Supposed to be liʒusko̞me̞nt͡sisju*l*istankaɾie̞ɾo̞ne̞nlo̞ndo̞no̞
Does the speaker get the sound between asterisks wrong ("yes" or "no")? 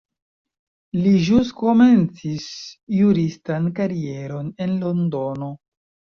yes